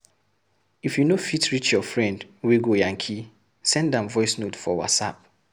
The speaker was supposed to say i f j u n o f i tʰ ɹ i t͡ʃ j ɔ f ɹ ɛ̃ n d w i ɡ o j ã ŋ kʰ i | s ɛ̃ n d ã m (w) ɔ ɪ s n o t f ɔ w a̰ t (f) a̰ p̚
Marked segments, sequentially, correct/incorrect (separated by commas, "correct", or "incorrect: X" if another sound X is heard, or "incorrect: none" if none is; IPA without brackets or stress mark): incorrect: v, incorrect: s